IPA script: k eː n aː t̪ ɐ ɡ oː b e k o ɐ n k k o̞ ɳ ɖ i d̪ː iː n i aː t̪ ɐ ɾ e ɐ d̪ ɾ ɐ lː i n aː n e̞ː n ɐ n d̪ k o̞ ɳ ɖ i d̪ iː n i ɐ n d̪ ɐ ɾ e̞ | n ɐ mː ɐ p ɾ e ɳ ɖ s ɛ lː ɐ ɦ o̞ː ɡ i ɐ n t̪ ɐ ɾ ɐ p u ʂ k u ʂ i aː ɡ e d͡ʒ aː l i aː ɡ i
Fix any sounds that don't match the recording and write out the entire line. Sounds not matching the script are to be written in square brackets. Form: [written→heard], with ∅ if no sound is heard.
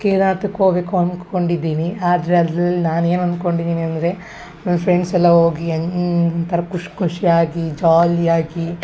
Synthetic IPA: k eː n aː t̪ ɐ [ɡ→k] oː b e k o ɐ n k k o̞ ɳ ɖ i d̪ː iː n i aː [t̪→d̪] ɐ ɾ e ɐ d̪ ɾ ɐ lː i n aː n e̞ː n ɐ n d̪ k o̞ ɳ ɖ i d̪ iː n i ɐ n d̪ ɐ ɾ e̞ | n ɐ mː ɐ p ɾ e ɳ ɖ s ɛ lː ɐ ɦ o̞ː ɡ i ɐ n t̪ ɐ ɾ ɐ [p→k] u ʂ k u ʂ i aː ɡ [e→i] d͡ʒ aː l i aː ɡ i

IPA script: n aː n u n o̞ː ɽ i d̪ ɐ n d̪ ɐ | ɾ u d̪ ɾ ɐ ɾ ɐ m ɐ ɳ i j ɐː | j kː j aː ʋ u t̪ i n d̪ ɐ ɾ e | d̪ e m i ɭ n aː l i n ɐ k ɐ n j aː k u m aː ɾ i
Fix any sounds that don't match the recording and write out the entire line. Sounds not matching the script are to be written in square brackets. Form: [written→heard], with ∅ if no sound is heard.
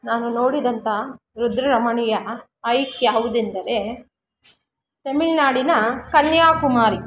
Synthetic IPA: n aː n u n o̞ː ɽ i d̪ ɐ n [d̪→t̪] ɐ | ɾ u d̪ ɾ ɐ ɾ ɐ m ɐ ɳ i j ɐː | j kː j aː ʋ u [t̪→d̪] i n d̪ ɐ ɾ e | [d̪→t̪] e m i ɭ n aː [l→ɽ] i n ɐ k ɐ n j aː k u m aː ɾ i

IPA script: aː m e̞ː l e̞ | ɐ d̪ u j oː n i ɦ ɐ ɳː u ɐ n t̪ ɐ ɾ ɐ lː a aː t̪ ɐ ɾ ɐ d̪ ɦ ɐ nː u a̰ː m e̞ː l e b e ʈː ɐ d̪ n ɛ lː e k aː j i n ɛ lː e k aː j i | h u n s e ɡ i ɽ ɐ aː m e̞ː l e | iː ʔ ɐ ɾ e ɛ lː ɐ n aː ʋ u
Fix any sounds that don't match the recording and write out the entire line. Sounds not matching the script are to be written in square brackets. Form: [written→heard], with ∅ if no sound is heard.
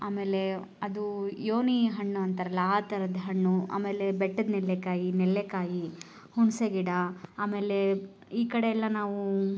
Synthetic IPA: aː m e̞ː l e̞ | ɐ d̪ u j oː n i ɦ ɐ ɳː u ɐ n t̪ ɐ ɾ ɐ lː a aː t̪ ɐ ɾ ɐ d̪ ɦ ɐ [nː→ɳː] u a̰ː m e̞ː l e b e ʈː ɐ d̪ n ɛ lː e k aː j i n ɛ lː e k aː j i | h u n s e ɡ i ɽ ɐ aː m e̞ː l e | iː [ʔ→k] ɐ [ɾ→ɽ] e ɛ lː ɐ n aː ʋ u

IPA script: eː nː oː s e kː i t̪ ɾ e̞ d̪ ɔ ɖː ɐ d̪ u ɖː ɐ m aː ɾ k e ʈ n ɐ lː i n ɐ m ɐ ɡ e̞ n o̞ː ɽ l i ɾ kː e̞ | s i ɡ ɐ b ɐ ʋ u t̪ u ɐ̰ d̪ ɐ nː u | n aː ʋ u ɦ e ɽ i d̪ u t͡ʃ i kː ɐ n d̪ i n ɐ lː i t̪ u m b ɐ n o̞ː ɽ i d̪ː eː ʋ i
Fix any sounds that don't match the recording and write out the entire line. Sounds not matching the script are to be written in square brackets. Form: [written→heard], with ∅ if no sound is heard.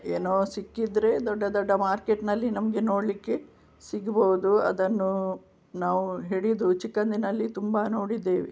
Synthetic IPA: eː [nː→n] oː s [e→i] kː i [t̪→d̪] ɾ e̞ d̪ ɔ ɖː ɐ d̪ [u→ɔ] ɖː ɐ m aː ɾ k e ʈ n ɐ lː i n ɐ m ɐ ɡ e̞ n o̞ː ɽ l i [ɾ→∅] kː e̞ | s i ɡ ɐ b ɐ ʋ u [t̪→d̪] u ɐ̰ d̪ ɐ nː u | n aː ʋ u ɦ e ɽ i d̪ u t͡ʃ i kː ɐ n d̪ i n ɐ lː i t̪ u m b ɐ n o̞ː ɽ i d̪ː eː ʋ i

